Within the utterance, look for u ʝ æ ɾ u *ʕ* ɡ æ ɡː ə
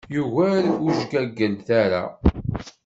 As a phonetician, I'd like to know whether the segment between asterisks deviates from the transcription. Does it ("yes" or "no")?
yes